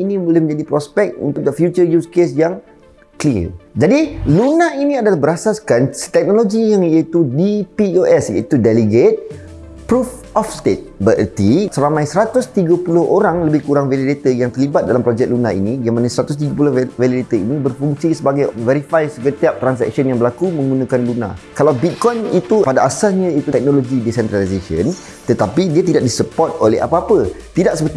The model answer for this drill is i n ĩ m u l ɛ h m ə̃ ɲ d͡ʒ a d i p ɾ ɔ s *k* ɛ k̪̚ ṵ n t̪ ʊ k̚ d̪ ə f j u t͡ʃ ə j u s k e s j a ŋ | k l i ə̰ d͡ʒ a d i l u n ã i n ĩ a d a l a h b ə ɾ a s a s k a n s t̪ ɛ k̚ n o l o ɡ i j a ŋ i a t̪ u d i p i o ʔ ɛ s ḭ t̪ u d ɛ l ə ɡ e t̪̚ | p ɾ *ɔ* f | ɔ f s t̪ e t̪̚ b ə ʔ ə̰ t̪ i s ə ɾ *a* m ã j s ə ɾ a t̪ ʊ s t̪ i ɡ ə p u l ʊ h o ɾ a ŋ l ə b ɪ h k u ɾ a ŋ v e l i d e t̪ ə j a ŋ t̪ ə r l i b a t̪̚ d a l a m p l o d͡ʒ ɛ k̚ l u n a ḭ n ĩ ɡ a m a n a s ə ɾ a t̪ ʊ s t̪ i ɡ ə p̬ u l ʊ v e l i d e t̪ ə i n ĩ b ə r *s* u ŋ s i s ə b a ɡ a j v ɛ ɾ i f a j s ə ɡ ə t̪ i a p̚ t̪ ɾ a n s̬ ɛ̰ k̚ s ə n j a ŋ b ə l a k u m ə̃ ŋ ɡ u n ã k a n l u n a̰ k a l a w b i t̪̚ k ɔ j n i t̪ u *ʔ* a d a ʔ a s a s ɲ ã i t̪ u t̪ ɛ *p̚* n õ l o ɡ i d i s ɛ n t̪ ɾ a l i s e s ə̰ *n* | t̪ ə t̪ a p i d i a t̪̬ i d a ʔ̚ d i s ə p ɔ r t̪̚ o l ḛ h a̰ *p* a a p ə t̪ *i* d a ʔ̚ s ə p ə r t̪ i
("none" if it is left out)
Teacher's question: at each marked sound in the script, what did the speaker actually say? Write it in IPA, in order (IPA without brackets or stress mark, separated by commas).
p, u, a, f, p, k̚, n, p, i